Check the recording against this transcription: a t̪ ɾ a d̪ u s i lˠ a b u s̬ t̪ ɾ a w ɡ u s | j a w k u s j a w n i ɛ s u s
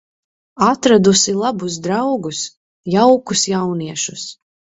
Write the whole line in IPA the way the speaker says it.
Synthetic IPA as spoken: a t̪ ɾ a d̪ u s i lˠ a b u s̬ d̪ ɾ a w ɡ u s | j a w k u s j a w n i ɛ ʃ u s